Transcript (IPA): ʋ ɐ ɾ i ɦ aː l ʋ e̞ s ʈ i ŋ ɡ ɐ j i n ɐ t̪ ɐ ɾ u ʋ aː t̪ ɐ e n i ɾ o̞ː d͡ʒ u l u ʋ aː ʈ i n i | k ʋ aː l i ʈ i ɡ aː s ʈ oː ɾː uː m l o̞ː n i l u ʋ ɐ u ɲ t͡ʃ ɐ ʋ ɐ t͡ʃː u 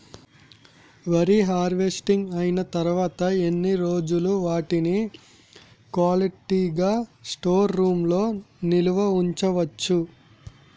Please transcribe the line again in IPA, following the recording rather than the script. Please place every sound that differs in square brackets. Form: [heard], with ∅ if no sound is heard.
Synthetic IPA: ʋ ɐ ɾ i ɦ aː [ɾ] ʋ e̞ s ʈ i ŋ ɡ ɐ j i n ɐ t̪ ɐ ɾ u ʋ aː t̪ ɐ e [nː] i ɾ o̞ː d͡ʒ u l u ʋ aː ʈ i n i | k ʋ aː l i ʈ i ɡ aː s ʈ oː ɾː uː m l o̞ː n i l u ʋ ɐ u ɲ t͡ʃ ɐ ʋ ɐ t͡ʃː u